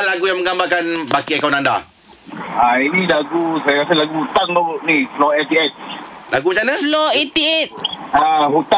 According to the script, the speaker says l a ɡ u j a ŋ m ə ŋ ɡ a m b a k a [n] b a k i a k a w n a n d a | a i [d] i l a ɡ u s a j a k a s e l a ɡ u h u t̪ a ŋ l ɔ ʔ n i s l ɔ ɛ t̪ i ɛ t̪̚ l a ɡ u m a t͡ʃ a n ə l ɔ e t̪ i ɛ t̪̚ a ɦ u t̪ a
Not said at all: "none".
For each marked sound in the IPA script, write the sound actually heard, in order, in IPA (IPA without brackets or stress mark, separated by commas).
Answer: n, n